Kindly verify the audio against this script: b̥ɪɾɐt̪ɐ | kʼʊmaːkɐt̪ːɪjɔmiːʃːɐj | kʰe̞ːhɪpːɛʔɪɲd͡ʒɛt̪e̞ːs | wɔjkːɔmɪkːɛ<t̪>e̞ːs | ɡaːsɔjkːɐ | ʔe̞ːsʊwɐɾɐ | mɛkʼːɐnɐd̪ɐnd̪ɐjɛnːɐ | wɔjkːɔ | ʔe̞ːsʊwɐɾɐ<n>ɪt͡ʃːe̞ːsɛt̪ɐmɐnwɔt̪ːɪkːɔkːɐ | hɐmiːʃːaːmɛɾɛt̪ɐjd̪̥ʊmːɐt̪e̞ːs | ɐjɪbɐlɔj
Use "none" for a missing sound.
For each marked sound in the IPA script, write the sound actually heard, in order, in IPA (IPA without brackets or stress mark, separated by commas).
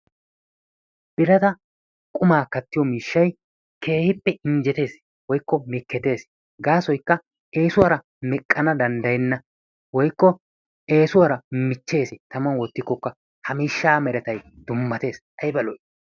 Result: t̪, m